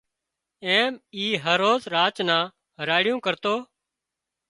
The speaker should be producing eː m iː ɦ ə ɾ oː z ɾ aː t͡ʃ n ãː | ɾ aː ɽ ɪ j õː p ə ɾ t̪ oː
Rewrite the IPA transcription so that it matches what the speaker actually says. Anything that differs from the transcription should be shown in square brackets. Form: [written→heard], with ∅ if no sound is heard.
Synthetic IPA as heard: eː m iː ɦ ə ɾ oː z ɾ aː t͡ʃ n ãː | ɾ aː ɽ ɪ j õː [p→k] ə ɾ t̪ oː